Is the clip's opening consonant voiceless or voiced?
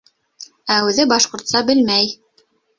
voiced